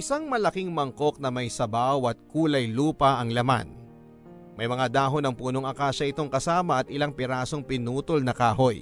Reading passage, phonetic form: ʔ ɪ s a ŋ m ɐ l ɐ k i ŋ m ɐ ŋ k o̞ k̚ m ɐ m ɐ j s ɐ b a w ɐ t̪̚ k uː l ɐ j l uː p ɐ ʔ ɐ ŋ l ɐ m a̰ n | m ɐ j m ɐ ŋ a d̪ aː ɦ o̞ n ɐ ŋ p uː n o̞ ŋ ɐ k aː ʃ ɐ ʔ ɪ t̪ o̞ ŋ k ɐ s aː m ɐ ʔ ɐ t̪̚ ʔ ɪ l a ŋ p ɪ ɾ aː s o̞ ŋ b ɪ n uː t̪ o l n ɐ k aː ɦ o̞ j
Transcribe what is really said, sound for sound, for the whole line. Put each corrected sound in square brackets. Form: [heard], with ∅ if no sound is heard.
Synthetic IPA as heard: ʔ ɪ s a ŋ m ɐ l ɐ k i ŋ m ɐ ŋ k o̞ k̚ [n] ɐ m ɐ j s ɐ b a w ɐ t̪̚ k uː l ɐ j l uː p ɐ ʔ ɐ ŋ l ɐ m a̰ n | m ɐ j m ɐ ŋ a d̪ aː ɦ o̞ n ɐ ŋ p uː n o̞ ŋ ɐ k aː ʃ ɐ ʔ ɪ t̪ o̞ ŋ k ɐ s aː m ɐ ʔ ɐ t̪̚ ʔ ɪ l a ŋ p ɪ ɾ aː s o̞ ŋ [p] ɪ n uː t̪ o l n ɐ k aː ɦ o̞ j